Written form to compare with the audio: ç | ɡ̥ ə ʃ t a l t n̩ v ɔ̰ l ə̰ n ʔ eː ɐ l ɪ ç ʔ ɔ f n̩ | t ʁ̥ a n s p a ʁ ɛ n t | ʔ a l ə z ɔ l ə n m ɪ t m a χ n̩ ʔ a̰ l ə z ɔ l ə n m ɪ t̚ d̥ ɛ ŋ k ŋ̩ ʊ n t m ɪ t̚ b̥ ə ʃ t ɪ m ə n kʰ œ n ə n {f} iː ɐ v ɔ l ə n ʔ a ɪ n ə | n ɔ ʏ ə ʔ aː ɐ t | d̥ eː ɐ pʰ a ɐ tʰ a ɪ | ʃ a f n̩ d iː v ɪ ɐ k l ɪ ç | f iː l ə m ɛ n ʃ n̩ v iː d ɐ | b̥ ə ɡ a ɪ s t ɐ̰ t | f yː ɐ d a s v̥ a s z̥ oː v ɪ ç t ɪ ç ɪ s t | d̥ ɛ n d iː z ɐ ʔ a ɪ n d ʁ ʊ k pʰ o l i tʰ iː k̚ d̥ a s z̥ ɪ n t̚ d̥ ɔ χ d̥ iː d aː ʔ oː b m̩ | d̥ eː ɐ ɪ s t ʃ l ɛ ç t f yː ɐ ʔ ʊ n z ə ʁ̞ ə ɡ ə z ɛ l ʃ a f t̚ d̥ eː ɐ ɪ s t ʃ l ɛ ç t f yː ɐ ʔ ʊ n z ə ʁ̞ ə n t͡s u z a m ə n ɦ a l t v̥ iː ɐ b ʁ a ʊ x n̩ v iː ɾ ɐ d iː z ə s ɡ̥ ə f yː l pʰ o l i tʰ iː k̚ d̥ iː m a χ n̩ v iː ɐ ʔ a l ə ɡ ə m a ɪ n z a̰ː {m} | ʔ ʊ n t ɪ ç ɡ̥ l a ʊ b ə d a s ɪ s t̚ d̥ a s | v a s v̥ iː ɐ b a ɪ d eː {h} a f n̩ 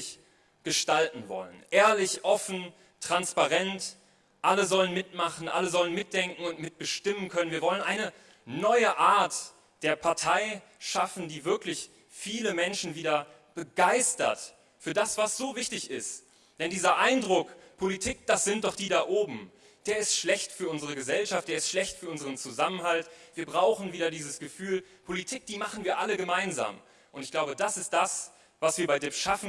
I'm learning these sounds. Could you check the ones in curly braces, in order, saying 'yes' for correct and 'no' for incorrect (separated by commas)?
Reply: no, yes, no